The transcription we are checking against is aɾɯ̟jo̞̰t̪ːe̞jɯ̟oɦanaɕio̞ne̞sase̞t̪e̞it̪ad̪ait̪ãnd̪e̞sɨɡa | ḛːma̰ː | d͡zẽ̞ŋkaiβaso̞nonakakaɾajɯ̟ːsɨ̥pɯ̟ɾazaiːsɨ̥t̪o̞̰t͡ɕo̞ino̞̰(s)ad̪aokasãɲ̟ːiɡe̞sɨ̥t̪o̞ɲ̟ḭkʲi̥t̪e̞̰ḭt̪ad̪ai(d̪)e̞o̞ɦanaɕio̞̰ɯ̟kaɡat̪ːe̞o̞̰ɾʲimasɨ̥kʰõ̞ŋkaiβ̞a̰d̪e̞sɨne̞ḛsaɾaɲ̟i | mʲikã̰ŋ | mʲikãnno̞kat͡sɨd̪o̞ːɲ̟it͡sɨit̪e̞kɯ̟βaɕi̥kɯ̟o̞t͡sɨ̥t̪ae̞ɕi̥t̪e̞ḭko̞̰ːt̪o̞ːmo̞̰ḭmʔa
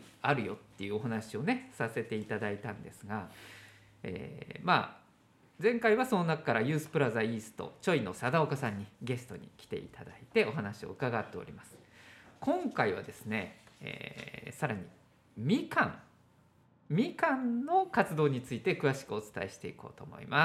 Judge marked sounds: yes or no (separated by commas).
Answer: yes, no